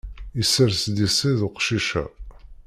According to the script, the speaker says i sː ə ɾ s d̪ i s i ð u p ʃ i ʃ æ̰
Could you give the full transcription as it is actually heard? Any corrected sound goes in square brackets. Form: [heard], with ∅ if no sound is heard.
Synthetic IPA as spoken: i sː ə ɾ s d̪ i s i ð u [q] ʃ i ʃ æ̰